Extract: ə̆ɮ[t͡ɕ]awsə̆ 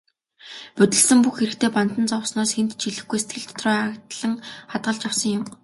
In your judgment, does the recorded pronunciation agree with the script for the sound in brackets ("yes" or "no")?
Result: yes